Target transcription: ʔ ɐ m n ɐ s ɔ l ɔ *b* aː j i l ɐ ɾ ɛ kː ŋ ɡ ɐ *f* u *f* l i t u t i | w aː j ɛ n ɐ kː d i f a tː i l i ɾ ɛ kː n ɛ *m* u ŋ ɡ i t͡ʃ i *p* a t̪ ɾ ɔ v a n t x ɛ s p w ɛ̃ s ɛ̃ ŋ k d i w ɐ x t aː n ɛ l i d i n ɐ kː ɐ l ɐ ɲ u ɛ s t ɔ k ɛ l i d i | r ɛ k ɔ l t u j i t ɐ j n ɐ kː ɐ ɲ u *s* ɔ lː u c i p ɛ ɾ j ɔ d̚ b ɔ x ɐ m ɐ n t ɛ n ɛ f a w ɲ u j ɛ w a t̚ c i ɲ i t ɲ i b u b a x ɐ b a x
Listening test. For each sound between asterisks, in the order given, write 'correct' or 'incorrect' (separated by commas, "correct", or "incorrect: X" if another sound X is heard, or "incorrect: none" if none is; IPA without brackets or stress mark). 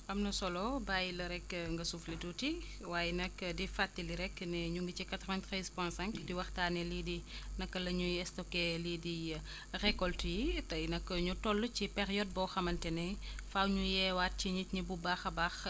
correct, incorrect: s, correct, incorrect: ɲ, incorrect: k, incorrect: t